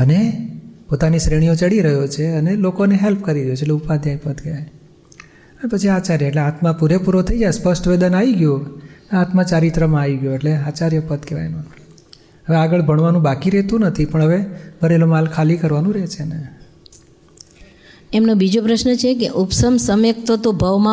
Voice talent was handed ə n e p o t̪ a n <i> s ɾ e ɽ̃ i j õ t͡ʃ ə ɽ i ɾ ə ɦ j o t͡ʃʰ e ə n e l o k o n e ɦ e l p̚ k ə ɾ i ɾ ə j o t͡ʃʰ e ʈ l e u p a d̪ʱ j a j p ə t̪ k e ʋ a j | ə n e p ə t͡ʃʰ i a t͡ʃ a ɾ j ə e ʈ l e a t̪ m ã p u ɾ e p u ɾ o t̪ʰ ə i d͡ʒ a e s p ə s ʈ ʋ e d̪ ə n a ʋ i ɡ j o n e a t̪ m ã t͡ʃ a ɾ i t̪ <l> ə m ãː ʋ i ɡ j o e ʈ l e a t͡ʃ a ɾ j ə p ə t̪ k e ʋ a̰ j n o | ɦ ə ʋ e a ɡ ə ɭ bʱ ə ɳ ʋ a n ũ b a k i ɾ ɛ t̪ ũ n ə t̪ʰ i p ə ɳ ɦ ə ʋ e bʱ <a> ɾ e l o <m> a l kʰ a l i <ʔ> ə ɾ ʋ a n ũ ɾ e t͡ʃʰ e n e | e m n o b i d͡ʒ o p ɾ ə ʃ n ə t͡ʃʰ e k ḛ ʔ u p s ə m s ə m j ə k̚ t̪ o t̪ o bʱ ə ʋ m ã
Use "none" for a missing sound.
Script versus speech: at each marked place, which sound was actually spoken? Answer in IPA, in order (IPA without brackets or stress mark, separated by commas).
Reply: i, ɾ, ə, m, k